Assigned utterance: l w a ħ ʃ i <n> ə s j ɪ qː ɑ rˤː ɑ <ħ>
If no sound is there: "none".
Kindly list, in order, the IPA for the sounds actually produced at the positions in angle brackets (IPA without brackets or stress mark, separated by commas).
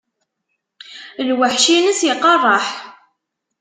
n, ħ